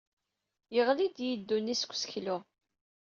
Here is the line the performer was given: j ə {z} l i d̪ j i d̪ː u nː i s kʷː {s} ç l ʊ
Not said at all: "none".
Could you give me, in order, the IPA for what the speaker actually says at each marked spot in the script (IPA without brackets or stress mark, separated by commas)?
ʁ, s